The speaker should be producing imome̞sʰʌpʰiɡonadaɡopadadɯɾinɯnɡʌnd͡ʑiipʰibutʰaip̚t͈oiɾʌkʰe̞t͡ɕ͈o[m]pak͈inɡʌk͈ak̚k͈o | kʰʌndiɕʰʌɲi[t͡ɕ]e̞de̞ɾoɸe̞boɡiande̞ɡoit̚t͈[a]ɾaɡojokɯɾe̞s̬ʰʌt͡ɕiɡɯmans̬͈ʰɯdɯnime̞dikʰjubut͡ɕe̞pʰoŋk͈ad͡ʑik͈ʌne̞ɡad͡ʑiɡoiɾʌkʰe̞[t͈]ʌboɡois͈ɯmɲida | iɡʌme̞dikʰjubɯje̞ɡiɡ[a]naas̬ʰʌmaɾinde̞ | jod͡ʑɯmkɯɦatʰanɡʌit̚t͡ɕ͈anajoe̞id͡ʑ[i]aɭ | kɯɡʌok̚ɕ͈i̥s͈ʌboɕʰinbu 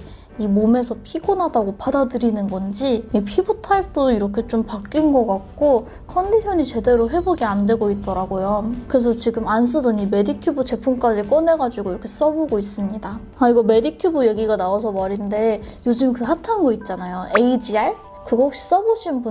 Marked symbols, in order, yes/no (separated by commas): yes, yes, no, no, yes, yes